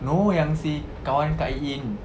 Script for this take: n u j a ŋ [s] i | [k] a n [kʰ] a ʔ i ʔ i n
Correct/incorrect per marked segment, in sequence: correct, correct, incorrect

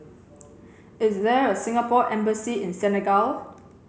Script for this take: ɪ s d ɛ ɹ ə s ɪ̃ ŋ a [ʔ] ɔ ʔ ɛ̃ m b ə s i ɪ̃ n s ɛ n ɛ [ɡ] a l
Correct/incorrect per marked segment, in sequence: incorrect, correct

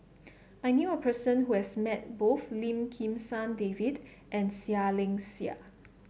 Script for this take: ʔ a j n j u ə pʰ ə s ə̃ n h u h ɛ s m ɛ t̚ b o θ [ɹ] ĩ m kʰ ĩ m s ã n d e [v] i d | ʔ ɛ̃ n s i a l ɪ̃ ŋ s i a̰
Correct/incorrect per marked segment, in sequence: incorrect, correct

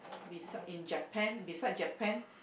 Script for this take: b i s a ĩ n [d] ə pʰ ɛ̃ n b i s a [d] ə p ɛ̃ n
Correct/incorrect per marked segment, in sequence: incorrect, incorrect

